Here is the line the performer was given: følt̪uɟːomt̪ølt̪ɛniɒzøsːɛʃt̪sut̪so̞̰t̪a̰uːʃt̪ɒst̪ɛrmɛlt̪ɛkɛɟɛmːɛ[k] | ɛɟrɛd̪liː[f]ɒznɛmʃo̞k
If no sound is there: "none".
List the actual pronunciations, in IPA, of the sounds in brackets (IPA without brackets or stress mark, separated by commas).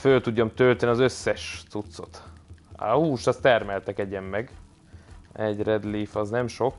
ɡ, f